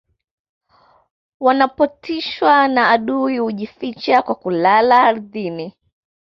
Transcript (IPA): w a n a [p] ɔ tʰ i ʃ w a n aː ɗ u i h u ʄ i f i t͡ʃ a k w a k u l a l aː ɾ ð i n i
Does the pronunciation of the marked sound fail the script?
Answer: no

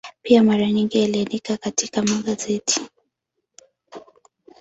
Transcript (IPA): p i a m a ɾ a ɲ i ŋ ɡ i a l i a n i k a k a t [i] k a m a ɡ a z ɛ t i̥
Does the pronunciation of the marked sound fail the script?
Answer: no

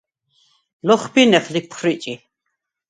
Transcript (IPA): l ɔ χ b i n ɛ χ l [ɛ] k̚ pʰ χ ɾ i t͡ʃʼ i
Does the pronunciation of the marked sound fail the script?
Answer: yes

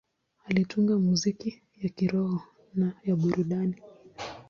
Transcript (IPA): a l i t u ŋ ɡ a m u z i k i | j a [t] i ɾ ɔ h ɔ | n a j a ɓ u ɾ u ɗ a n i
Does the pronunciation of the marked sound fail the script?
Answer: yes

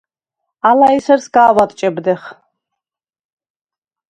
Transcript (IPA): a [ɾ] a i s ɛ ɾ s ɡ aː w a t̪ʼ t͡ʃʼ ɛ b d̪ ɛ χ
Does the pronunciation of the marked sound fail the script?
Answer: yes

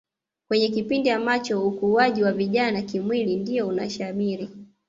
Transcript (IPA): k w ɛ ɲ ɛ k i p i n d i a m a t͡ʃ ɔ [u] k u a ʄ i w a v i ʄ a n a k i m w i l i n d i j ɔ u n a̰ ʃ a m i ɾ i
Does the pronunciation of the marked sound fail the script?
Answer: no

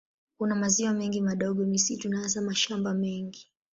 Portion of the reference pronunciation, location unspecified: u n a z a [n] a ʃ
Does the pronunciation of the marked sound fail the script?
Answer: yes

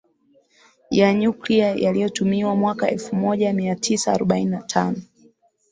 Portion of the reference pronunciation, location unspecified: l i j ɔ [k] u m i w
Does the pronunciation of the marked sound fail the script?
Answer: yes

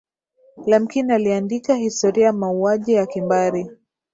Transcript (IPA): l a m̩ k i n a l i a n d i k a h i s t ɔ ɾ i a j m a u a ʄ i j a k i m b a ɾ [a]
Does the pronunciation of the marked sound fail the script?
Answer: yes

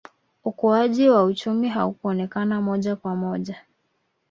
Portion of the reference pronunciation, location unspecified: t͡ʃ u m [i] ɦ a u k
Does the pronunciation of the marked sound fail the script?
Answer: no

